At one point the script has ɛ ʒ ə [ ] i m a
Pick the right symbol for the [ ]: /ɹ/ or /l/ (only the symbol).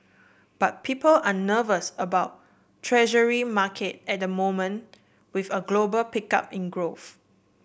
ɹ